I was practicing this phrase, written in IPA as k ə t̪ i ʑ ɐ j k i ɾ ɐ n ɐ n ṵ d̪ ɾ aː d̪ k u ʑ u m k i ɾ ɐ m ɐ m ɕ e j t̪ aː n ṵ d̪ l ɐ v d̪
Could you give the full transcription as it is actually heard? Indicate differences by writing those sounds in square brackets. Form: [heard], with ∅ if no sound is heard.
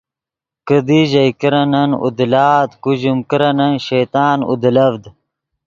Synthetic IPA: k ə [d̪] i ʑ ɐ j k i ɾ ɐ n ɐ n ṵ d̪ [l] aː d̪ k u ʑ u m k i ɾ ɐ [n] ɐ [n] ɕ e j t̪ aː n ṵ d̪ l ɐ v d̪

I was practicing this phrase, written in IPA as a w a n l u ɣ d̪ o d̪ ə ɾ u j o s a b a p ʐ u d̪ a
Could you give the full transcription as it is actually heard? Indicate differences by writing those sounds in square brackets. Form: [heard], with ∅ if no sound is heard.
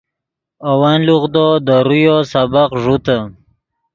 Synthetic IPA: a w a n l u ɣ d̪ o d̪ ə ɾ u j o s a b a [q] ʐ u [t̪] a

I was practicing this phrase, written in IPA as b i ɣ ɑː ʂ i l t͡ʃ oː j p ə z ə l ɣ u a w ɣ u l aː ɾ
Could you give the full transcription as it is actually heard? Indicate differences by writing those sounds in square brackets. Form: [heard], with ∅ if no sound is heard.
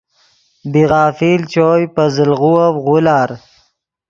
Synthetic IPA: b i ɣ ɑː [f] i l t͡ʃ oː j p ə z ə l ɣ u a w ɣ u l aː ɾ

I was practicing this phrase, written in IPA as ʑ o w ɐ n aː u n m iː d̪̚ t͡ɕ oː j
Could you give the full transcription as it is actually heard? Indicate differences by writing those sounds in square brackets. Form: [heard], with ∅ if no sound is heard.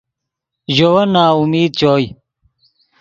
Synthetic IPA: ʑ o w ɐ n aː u [∅] m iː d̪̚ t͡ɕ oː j

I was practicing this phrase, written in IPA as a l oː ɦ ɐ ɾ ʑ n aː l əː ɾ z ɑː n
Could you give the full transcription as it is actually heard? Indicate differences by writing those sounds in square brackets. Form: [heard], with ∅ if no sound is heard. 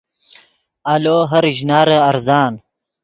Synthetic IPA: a l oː ɦ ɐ ɾ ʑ n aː [ɾ] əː ɾ z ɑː n

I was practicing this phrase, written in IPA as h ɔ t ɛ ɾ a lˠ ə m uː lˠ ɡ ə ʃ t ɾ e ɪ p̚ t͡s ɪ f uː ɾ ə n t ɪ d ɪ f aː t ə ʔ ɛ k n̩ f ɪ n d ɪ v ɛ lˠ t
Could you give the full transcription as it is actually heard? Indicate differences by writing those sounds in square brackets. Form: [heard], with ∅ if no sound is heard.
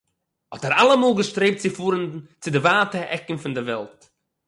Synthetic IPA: h ɔ t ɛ ɾ a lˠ ə m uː lˠ ɡ ə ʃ t ɾ e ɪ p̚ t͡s ɪ f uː ɾ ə n [t͡s] ɪ d ɪ [v] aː t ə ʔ ɛ k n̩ f ɪ n d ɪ v ɛ lˠ t

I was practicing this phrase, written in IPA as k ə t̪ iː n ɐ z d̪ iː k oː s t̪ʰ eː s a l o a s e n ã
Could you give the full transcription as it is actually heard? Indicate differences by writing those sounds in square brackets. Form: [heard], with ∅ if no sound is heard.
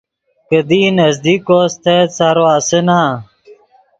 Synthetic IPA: k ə [d̪] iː n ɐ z d̪ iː k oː s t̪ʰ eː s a [ɾ] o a s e n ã

